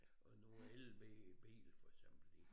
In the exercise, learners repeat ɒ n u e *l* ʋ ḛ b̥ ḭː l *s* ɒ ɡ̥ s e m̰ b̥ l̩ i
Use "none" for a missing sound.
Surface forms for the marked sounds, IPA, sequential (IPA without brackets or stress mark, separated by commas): l, f